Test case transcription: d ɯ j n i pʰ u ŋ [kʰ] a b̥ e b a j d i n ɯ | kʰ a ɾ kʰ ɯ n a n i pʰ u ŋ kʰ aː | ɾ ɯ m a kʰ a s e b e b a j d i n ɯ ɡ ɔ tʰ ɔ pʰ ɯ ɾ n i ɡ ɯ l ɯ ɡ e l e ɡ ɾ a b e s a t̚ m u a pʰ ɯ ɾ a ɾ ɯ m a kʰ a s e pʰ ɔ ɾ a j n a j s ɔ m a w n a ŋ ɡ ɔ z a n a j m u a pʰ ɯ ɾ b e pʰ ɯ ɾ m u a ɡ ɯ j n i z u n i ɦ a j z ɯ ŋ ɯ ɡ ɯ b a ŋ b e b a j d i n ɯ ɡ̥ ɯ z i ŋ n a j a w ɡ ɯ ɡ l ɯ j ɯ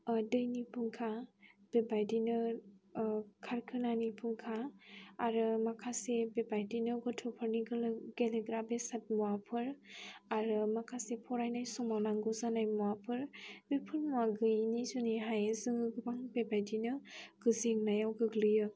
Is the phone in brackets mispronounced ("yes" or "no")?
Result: no